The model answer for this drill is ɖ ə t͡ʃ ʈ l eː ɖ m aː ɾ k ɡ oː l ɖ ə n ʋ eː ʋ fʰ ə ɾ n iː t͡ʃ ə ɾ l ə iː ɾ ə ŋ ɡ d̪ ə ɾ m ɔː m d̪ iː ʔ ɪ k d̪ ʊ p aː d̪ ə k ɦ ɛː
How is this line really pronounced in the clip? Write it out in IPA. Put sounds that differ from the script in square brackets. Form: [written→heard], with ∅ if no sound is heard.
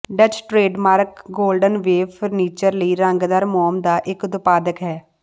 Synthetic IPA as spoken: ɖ ə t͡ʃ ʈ [l→ɾ] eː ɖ m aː ɾ k ɡ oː l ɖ ə n ʋ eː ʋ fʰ ə ɾ n iː t͡ʃ ə ɾ l ə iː ɾ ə ŋ ɡ d̪ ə ɾ m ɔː m d̪ [iː→aː] ʔ ɪ k d̪ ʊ p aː d̪ ə k ɦ ɛː